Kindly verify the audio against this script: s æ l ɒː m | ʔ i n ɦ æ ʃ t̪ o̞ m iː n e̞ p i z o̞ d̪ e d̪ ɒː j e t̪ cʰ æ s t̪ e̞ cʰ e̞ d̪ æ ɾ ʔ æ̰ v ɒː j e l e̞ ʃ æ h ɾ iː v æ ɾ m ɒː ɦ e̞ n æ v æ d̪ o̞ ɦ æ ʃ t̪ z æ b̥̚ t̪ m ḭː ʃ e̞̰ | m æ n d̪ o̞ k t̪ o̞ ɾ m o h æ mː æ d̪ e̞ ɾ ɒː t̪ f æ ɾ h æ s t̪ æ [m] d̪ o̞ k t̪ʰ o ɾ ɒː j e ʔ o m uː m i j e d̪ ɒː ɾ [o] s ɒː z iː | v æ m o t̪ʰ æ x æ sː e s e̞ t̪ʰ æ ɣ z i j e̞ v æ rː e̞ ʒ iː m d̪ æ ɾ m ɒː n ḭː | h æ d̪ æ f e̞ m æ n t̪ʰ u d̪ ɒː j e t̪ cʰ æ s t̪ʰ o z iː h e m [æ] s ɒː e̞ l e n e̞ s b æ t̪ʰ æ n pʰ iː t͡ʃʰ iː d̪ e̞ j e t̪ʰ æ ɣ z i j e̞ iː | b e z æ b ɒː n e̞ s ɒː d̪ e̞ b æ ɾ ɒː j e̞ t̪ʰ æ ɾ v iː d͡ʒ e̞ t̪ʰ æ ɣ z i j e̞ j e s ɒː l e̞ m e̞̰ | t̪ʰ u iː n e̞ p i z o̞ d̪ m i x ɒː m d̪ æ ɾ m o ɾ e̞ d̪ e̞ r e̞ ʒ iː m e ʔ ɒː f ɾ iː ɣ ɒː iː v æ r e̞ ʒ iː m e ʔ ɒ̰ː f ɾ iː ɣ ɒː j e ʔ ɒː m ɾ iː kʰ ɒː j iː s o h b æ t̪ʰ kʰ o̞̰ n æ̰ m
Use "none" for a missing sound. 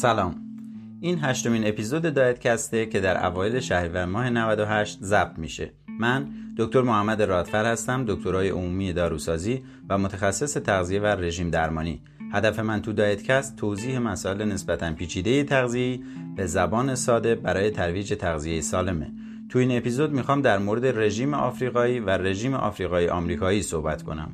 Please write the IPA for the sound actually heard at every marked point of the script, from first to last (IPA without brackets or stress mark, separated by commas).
m, u, æ